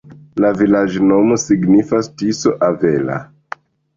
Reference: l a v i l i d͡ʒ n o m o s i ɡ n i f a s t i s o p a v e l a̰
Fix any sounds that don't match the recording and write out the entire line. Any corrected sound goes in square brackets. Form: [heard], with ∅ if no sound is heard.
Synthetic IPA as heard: l a v i l [a] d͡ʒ n o m o s i ɡ n i f a s t i s o [ʔ] a v e l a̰